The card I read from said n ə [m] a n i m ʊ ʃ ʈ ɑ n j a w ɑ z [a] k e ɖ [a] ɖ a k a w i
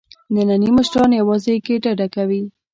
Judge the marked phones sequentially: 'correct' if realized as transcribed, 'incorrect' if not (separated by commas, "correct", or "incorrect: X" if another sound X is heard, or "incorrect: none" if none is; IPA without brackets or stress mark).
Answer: incorrect: n, incorrect: e, correct